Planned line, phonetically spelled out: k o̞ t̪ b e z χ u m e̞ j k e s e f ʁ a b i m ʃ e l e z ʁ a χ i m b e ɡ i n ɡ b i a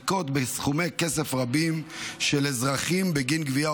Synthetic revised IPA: k o̞ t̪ b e s χ u m e̞ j k e s e f ʁ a b i m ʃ e l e z ʁ a χ i m b e ɡ i n ɡ v i a